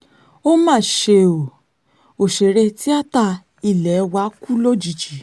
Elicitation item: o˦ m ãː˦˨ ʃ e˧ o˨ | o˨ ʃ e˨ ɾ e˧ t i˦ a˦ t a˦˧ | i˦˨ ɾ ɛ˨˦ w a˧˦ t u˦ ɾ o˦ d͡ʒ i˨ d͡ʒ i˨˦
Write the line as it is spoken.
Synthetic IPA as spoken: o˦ m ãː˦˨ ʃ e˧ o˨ | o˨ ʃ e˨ ɾ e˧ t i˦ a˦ t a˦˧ | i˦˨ l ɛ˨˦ w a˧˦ k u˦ l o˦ d͡ʒ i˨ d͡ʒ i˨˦